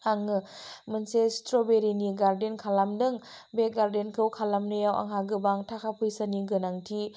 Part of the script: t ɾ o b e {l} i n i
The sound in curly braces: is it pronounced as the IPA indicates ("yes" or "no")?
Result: no